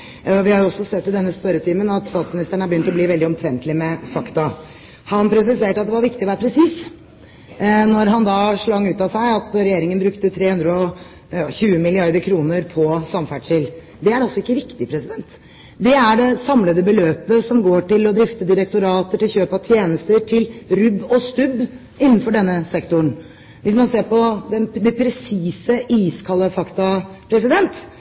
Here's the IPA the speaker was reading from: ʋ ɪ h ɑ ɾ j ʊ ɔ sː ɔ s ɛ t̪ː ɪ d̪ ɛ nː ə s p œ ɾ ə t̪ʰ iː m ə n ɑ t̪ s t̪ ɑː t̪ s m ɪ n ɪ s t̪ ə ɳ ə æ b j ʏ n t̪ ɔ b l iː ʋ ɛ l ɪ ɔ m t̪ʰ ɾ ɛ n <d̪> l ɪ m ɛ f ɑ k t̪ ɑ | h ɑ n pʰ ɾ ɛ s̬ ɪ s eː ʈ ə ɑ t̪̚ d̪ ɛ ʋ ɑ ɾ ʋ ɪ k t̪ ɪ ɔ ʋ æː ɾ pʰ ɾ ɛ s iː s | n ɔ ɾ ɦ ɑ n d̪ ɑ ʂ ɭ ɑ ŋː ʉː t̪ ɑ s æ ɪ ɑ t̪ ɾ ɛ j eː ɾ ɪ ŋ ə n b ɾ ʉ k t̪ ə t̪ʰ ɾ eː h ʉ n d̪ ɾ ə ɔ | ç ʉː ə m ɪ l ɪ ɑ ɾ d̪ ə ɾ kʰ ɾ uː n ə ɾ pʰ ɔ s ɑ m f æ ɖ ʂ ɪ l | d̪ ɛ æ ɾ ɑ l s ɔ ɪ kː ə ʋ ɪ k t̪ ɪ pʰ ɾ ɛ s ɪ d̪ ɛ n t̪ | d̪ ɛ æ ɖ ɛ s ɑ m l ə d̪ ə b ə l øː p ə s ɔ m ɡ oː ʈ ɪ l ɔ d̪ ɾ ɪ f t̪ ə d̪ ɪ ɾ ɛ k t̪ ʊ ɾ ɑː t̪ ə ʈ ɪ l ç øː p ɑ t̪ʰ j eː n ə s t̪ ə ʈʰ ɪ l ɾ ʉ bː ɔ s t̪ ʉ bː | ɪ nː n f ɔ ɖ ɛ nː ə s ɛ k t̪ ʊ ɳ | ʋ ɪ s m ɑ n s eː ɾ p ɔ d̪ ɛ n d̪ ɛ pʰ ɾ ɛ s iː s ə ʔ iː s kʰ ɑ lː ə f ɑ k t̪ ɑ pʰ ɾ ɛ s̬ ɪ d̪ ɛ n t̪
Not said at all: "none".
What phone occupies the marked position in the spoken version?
t̪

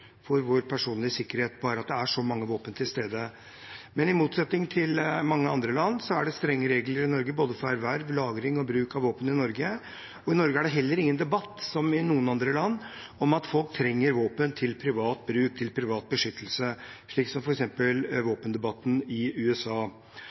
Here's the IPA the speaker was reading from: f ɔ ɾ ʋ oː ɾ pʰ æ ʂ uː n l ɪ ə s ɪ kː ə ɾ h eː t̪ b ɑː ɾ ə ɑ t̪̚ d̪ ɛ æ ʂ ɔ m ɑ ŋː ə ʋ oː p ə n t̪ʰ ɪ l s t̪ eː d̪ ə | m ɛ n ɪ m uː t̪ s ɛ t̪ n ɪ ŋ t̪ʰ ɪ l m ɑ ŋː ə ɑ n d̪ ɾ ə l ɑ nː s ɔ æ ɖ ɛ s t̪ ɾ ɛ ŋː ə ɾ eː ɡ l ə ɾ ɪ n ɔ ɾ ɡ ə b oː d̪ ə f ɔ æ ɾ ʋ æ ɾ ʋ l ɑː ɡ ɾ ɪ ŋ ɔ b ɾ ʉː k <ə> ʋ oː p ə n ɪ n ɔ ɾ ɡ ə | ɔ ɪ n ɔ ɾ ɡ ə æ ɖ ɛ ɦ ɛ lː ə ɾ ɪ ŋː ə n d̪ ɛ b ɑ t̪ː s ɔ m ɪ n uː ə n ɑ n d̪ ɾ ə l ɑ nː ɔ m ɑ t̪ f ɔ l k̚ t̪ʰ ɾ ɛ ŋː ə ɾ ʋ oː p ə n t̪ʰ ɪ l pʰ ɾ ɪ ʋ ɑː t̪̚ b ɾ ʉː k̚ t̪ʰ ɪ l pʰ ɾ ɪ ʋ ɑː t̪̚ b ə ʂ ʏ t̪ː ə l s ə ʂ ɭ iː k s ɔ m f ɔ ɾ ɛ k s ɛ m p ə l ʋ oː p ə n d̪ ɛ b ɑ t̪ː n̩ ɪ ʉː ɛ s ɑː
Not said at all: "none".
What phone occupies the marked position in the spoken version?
ɑ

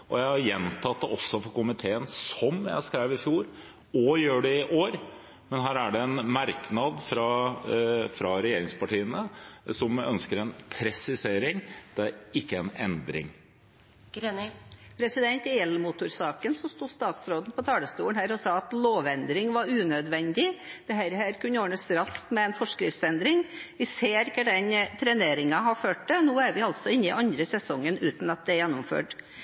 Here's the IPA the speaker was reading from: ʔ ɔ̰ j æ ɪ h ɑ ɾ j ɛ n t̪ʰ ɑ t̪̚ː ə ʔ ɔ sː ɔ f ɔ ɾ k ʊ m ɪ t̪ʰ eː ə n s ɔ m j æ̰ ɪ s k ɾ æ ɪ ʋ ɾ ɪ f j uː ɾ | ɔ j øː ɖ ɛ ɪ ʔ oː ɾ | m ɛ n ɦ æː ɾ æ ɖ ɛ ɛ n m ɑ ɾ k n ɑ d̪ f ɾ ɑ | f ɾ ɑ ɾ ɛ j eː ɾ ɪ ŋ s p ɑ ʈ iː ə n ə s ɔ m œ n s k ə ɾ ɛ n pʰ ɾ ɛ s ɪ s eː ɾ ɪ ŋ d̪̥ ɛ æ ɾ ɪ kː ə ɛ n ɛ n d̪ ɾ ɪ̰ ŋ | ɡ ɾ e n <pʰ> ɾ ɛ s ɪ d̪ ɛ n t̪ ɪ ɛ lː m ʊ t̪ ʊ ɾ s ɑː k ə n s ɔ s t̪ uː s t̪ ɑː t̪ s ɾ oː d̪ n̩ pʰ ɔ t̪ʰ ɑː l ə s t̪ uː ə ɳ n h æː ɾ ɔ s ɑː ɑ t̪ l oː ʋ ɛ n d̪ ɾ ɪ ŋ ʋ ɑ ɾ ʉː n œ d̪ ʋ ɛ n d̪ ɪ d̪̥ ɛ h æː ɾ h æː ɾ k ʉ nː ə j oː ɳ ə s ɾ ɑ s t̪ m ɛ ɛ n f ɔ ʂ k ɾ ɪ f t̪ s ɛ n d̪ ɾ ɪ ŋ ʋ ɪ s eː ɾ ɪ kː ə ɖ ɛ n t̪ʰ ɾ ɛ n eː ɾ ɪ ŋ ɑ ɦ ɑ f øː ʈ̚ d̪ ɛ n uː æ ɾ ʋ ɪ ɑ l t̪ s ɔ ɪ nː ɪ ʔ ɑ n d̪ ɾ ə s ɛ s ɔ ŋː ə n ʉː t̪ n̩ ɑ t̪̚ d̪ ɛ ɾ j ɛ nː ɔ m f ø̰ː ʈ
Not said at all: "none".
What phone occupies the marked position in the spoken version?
pʰ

